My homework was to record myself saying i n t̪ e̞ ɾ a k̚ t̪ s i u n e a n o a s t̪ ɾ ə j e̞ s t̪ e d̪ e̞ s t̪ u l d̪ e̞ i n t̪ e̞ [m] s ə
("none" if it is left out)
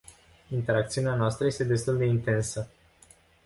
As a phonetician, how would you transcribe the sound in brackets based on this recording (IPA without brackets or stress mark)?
n